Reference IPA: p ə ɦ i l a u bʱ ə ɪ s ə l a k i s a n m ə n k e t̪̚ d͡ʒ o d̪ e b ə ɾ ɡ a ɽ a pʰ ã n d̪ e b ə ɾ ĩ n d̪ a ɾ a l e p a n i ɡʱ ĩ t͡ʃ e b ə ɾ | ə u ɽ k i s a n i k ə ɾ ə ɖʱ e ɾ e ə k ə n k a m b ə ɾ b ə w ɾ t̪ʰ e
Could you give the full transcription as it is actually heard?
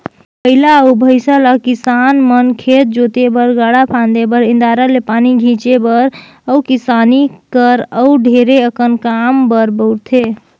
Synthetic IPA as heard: p ə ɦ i l a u bʱ ə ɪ s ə l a k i s a n m ə n kʰ e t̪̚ d͡ʒ o t̪ e b ə ɾ ɡ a ɽ a pʰ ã n d̪ e b ə ɾ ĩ n d̪ a ɾ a l e p a n i ɡʱ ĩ t͡ʃ e b ə ɾ | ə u k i s a n i k ə ɾ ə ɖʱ e ɾ e ə k ə n k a m b ə ɾ b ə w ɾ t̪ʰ e